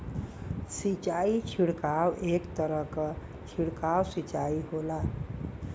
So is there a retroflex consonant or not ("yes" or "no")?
yes